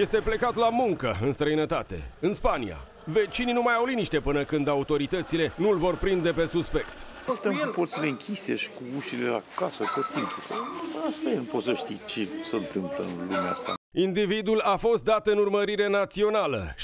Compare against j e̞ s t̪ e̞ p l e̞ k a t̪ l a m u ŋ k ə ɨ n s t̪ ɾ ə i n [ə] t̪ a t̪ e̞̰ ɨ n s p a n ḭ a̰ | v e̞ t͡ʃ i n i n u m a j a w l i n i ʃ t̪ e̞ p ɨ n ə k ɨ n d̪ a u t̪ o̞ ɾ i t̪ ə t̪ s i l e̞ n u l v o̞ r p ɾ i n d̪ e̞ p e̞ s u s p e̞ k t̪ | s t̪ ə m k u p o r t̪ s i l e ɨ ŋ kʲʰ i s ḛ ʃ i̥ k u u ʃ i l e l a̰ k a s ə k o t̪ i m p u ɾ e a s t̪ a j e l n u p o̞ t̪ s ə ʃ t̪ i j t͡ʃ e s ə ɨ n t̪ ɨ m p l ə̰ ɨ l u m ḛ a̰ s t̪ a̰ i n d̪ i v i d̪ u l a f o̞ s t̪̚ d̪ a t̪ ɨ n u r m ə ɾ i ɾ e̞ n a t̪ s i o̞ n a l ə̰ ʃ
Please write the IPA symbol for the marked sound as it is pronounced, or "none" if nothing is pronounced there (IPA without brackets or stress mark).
ə